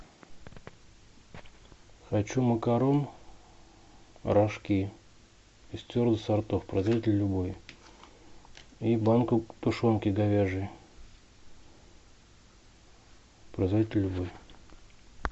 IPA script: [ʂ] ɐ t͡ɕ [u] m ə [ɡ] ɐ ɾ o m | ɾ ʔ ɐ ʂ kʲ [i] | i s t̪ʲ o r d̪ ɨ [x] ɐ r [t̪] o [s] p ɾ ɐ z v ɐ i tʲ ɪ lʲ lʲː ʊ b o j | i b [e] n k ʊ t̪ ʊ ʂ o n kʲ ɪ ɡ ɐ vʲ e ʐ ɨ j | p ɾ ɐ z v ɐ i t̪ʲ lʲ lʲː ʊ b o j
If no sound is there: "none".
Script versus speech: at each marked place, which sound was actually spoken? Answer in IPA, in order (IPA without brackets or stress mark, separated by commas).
x, u, k, i, s, t̪, f, a